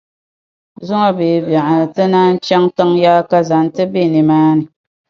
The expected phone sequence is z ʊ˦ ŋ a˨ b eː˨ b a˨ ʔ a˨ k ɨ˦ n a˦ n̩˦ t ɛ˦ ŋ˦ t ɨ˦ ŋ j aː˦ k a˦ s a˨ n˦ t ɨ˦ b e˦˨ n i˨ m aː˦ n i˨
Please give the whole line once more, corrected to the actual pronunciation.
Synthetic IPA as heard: z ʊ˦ ŋ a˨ b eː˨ b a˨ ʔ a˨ t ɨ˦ n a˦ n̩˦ t͡ʃ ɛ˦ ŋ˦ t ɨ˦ ŋ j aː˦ k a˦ z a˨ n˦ t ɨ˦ b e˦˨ n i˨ m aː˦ n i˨